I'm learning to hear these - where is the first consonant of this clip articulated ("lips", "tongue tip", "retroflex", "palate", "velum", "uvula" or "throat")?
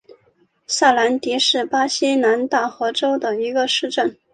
tongue tip